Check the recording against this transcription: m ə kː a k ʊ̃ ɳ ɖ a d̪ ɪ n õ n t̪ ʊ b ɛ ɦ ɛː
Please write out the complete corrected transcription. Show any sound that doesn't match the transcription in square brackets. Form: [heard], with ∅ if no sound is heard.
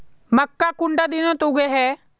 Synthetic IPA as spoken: m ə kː a k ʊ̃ ɳ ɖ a d̪ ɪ n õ [∅] t̪ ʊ [ɡ] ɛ ɦ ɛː